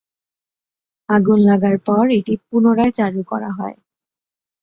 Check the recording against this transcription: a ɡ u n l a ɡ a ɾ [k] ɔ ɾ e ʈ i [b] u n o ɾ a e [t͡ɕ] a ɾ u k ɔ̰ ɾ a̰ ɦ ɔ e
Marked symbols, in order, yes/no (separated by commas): no, no, yes